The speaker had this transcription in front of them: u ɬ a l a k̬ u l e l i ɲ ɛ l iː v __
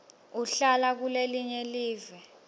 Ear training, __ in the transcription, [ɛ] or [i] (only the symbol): ɛ